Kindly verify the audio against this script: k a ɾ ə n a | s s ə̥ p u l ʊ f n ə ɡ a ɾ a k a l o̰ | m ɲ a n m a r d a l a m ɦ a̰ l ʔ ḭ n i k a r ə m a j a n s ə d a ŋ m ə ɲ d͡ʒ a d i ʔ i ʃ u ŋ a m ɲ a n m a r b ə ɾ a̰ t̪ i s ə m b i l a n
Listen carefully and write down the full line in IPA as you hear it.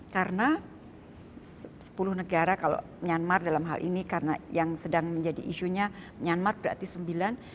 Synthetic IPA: k a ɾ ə n a | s s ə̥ p u l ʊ h n ə ɡ a ɾ a k a l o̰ | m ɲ a n m a r d a l a m ɦ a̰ l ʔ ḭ n i k a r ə n a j a ŋ s ə d a ŋ m ə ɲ d͡ʒ a d i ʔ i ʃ u ɲ a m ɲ a n m a r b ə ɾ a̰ t̪ i s ə m b i l a n